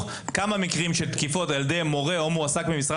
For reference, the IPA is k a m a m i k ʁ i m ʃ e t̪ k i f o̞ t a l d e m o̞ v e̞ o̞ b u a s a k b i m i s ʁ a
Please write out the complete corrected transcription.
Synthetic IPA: k a m a m i k ʁ i m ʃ e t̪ k i f o̞ t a l d e m o̞ ʁ e̞ o̞ m u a s a k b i m i s ʁ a